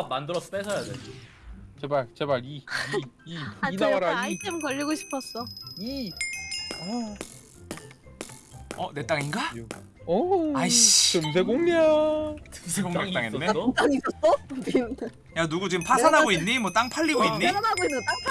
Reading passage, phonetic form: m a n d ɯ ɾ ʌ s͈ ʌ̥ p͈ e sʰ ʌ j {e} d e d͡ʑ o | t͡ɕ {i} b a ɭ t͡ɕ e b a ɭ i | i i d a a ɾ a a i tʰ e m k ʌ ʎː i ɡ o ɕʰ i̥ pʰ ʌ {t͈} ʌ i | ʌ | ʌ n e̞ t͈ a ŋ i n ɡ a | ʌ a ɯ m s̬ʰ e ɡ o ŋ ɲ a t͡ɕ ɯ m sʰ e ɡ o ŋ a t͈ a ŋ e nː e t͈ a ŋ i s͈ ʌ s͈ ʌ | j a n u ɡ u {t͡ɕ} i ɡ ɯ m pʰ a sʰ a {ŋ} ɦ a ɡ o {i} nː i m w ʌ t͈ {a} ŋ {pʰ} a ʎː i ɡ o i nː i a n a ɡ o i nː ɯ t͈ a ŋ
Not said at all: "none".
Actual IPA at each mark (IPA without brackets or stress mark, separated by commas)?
a, e, s͈, t͡ɕ, n, i, a, pʰ